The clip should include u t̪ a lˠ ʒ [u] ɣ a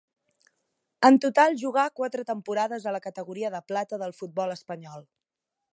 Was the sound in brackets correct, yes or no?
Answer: yes